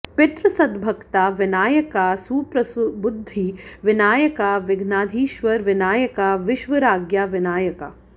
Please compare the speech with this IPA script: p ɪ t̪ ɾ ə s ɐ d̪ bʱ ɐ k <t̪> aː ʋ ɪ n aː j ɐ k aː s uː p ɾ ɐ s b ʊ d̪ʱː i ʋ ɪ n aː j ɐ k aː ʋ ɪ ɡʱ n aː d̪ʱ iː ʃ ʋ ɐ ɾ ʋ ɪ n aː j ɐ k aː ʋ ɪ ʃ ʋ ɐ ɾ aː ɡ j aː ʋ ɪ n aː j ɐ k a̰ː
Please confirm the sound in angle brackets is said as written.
yes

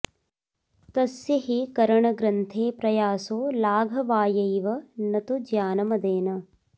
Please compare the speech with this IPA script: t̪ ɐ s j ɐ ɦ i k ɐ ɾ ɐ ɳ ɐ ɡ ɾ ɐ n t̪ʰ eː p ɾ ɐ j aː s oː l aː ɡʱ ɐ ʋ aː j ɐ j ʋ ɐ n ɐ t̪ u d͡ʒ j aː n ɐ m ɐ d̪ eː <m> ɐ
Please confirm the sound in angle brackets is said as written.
no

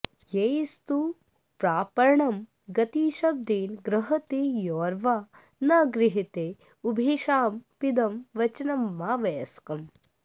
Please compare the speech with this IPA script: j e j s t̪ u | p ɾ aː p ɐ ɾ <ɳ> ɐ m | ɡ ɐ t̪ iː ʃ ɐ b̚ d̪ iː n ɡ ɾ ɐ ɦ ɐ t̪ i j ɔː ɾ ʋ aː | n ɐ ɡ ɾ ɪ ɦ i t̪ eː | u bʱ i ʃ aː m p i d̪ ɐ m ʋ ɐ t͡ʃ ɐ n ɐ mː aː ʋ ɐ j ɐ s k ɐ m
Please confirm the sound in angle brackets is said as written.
yes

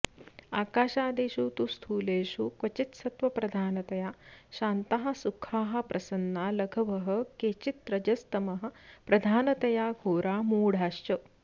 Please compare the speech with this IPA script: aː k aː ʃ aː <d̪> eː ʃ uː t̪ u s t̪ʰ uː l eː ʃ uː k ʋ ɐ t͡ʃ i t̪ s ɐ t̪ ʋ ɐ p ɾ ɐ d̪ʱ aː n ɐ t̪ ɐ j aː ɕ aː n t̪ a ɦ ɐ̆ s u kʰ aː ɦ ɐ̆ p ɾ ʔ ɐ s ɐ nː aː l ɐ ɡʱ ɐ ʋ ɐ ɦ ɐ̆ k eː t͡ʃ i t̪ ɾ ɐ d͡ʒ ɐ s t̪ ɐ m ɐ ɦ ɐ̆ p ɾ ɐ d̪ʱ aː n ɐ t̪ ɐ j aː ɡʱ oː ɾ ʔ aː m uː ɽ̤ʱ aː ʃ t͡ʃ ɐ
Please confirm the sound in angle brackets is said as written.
yes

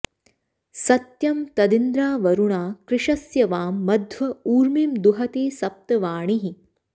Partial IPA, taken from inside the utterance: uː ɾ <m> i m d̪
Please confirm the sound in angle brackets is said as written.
yes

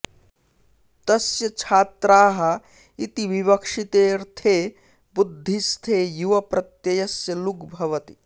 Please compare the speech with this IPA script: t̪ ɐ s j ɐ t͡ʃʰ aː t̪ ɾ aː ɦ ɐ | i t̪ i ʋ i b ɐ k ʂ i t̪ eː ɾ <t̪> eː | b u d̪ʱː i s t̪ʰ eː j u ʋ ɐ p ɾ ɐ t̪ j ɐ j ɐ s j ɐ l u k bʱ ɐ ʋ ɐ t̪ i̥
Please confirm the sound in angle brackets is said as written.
no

